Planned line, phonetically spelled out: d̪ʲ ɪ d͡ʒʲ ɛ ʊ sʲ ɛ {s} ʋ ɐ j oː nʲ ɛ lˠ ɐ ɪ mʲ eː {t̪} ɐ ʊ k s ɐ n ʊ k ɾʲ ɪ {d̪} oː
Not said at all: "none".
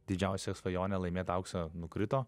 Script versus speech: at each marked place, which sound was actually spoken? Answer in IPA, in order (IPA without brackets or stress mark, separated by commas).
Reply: s, t̪, t̪